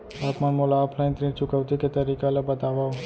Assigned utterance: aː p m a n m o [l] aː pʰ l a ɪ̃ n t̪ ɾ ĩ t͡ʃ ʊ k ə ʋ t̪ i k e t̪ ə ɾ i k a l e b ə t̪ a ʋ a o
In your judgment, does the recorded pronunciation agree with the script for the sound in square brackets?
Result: yes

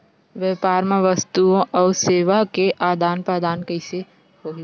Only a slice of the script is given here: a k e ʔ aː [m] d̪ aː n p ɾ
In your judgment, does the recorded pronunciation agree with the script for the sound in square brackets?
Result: no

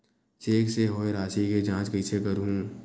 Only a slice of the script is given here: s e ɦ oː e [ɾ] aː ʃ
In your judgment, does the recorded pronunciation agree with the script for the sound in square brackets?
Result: yes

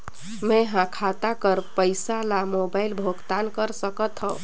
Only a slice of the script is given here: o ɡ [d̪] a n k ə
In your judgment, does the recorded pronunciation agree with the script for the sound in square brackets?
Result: no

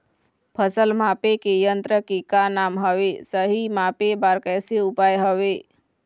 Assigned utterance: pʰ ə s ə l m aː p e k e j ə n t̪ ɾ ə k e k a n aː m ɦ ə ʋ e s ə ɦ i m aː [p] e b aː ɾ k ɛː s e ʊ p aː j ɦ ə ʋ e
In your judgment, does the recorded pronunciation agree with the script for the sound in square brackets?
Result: yes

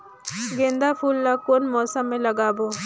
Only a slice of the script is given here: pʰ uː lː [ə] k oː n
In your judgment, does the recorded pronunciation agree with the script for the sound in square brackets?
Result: no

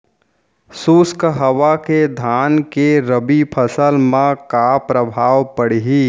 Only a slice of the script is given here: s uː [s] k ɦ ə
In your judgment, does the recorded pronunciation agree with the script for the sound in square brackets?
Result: yes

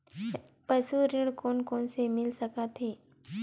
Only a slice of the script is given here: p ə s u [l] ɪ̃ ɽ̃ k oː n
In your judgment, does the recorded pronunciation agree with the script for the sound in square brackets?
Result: no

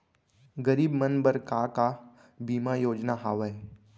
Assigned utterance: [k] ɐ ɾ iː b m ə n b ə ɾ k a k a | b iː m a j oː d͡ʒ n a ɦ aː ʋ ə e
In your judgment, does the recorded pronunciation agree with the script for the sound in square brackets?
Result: no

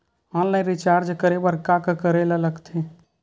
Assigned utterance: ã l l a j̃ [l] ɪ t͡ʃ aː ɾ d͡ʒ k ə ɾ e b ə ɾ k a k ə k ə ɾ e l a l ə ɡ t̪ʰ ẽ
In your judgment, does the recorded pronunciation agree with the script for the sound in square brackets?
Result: no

